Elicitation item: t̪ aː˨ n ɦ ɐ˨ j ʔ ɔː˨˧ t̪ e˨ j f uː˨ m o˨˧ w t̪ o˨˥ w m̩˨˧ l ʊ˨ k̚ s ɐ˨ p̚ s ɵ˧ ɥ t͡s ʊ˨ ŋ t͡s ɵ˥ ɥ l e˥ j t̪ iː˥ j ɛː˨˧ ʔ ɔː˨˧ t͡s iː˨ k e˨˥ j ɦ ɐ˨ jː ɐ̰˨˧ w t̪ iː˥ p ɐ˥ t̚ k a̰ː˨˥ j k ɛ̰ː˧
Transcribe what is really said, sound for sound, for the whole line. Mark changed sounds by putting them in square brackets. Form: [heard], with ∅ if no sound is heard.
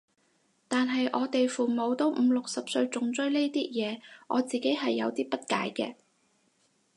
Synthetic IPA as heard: t̪ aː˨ n ɦ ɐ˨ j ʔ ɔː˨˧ t̪ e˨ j f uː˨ m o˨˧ w t̪ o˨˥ w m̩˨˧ l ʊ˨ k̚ s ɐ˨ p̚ s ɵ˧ ɥ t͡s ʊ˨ ŋ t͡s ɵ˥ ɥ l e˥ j t̪ iː˥ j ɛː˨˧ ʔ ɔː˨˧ t͡s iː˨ k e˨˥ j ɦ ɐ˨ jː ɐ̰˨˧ w t̪ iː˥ p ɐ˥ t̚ k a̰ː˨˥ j k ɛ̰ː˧